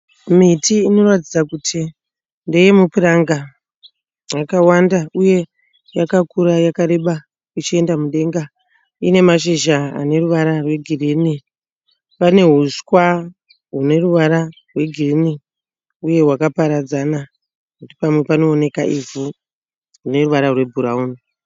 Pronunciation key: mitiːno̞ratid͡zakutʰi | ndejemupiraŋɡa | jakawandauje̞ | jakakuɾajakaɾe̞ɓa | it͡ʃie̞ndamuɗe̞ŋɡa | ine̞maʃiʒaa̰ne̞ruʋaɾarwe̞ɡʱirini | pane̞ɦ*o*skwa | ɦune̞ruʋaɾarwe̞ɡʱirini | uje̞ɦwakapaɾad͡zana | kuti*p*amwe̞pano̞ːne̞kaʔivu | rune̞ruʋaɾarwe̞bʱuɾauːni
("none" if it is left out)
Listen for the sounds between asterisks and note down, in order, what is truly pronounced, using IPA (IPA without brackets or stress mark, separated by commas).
u, p